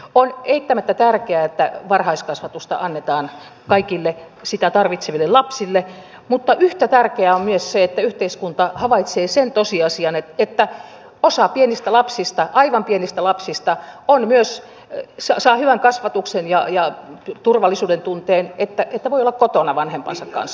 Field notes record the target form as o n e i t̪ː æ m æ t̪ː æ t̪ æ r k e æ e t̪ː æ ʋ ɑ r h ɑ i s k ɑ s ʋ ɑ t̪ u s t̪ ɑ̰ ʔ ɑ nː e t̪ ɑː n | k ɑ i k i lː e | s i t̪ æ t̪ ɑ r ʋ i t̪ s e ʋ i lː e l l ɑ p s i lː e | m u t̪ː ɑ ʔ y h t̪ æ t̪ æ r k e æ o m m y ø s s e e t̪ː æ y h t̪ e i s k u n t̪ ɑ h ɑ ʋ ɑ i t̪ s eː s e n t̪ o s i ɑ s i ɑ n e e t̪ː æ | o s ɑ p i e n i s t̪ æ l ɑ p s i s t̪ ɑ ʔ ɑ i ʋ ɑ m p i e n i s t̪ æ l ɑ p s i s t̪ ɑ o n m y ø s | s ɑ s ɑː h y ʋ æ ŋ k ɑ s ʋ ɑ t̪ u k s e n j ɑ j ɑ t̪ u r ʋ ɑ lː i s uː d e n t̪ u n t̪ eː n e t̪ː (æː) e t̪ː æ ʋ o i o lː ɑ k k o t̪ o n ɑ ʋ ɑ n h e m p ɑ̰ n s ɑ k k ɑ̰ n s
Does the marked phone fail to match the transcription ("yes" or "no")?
yes